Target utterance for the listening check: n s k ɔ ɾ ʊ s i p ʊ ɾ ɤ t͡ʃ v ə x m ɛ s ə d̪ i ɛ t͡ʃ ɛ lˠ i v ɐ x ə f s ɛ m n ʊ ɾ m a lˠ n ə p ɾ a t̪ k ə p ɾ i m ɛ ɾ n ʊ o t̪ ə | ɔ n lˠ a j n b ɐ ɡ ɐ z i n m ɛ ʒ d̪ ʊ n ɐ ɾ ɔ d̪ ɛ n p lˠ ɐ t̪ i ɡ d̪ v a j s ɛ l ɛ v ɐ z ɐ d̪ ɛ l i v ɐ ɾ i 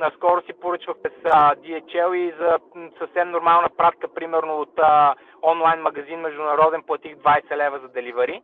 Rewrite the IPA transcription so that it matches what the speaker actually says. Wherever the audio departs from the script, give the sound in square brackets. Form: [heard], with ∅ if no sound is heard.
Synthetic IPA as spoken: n s k ɔ ɾ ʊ s i p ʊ ɾ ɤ t͡ʃ v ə x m ɛ s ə d̪ i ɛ t͡ʃ ɛ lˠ i [z] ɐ [s] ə f s ɛ m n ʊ ɾ m a lˠ n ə p ɾ a t̪ k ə p ɾ i m ɛ ɾ n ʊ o t̪ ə | ɔ n lˠ a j n [m] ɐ ɡ ɐ z i n m ɛ ʒ d̪ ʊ n ɐ ɾ ɔ d̪ ɛ n p lˠ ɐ t̪ i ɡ d̪ v a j s ɛ l ɛ v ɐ z ɐ d̪ ɛ l i v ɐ ɾ i